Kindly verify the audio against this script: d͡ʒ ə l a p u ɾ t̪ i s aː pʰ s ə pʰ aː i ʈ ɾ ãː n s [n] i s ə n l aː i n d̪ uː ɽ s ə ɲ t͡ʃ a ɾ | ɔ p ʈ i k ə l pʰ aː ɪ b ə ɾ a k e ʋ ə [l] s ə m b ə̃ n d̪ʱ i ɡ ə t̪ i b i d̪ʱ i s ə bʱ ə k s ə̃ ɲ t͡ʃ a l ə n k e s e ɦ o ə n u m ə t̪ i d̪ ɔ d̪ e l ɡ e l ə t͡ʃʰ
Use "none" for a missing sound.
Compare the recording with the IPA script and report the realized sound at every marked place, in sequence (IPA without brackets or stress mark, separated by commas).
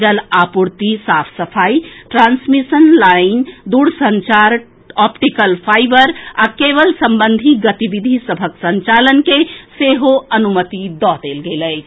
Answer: m, l